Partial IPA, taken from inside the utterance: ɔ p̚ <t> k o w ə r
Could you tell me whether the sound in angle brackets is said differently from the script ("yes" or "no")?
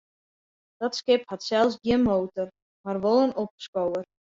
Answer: yes